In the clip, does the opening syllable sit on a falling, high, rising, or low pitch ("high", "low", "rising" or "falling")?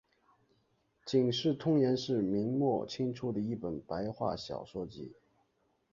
low